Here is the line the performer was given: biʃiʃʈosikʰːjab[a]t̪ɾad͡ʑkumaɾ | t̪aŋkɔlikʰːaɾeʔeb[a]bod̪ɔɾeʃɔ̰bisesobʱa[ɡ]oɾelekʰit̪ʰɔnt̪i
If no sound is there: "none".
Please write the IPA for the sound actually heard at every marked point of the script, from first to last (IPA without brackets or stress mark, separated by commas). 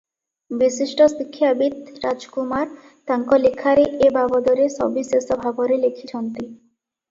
i, a, b